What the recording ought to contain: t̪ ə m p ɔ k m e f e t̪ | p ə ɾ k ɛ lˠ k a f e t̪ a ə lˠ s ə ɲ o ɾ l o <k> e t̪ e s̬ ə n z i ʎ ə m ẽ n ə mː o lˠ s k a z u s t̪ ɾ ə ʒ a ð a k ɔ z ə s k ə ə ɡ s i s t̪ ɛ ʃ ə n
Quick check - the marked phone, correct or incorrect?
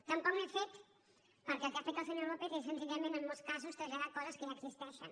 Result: incorrect